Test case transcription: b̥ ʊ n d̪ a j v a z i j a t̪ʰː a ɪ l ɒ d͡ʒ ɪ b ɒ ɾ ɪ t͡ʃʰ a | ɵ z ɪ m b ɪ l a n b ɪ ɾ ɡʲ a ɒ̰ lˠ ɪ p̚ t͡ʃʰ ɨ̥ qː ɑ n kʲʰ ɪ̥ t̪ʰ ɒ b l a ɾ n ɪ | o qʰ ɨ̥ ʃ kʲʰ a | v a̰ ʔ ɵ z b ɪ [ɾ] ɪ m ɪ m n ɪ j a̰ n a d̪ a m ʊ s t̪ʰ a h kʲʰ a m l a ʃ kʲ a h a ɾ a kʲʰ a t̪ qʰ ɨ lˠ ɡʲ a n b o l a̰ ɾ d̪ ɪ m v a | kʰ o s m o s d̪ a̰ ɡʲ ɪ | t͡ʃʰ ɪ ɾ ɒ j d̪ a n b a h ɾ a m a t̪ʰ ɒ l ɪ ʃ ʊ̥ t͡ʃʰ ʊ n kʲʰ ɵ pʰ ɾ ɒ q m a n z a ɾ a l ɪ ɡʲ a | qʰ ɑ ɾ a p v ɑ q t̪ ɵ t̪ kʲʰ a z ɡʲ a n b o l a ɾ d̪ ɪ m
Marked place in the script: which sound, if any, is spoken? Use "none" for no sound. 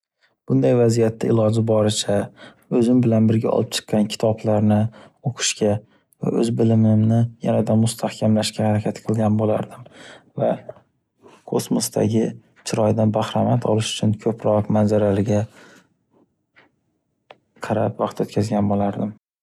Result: l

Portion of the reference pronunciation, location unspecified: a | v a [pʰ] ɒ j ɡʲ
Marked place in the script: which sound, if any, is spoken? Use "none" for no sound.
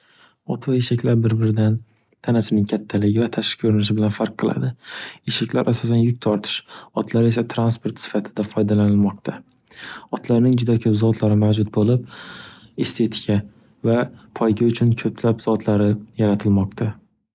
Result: pʰ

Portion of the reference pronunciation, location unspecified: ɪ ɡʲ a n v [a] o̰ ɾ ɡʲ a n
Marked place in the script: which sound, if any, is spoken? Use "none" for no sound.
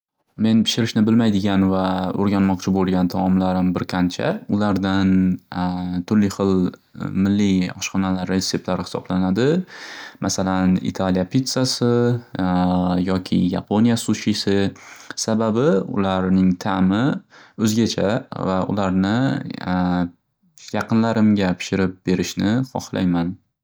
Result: a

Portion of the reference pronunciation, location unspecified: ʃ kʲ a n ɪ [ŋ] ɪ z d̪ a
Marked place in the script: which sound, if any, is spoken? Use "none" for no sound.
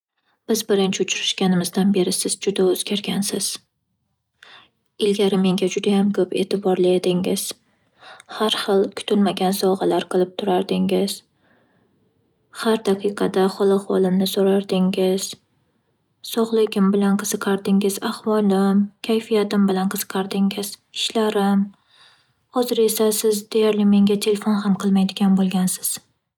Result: m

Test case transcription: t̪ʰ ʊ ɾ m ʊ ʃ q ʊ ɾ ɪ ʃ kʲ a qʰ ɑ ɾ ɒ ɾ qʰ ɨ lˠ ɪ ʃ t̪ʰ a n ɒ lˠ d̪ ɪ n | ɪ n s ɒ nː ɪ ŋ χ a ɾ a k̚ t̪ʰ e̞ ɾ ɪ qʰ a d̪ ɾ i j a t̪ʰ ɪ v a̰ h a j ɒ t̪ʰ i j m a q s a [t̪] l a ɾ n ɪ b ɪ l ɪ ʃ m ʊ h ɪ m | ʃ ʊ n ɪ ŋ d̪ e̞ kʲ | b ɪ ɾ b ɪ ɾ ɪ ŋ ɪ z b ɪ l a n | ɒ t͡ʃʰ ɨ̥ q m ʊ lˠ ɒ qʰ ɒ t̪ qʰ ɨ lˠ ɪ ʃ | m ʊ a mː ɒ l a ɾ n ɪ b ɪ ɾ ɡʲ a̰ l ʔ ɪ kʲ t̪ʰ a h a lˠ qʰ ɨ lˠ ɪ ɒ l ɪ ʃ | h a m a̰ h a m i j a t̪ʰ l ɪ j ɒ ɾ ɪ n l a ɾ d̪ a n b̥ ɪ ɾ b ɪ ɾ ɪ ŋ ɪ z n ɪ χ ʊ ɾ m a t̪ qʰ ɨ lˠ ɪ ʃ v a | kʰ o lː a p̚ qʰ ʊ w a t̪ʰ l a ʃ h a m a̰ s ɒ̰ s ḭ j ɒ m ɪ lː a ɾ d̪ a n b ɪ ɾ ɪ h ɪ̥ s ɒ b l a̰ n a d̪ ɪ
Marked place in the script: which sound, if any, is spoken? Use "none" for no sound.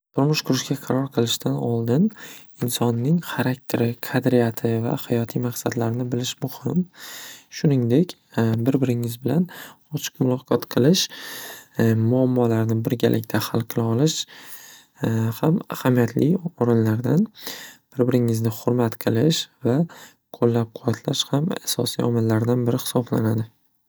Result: d̪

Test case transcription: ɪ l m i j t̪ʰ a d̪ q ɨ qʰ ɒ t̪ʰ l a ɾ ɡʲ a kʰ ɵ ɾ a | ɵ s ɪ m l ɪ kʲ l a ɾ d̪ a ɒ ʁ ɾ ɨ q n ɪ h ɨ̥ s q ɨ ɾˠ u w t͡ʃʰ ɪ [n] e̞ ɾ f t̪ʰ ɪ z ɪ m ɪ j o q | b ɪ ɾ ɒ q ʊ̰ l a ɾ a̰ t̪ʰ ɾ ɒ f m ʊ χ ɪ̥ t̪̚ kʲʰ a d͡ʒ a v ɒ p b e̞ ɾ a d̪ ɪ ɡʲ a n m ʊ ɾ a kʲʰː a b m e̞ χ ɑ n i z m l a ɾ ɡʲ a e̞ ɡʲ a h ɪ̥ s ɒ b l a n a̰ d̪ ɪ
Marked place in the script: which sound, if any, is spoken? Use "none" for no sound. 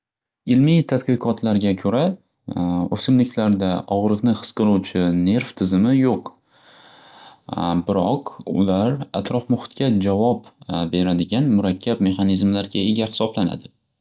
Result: n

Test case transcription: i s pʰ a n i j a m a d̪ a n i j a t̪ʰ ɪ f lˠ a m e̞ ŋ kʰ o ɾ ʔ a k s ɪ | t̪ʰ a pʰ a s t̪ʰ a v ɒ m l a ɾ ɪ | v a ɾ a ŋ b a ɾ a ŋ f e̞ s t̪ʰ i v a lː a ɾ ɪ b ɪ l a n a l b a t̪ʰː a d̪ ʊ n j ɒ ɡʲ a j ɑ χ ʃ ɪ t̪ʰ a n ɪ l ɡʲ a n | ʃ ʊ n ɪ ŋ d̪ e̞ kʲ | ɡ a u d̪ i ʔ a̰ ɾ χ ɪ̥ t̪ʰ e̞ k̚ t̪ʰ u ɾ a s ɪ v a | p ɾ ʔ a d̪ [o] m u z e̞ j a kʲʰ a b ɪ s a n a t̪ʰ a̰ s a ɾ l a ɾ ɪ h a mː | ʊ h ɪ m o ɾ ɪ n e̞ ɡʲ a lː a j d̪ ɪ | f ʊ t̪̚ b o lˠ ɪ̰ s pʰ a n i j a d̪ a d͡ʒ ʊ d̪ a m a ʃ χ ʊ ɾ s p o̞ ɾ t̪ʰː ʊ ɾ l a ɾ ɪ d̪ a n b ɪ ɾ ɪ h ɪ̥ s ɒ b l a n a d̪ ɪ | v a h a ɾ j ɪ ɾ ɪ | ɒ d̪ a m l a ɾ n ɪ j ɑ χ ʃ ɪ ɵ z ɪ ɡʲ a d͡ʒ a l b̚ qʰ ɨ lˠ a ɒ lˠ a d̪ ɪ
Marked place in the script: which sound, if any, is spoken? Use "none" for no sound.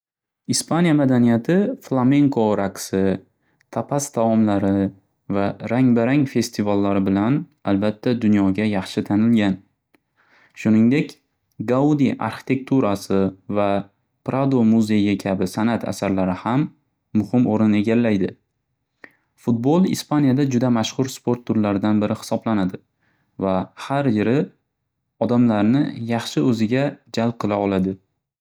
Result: o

